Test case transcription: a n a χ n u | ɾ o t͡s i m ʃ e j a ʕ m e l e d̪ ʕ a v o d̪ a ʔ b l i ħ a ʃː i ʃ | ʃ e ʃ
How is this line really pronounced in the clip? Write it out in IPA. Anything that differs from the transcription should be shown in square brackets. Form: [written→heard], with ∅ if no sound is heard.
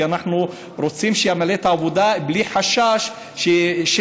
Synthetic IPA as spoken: a n a [χ→ħ] n u | ɾ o t͡s i m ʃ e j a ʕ m [e→a] l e [d̪→t̪] ʕ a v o d̪ a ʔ b l i ħ a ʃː [i→a] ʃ | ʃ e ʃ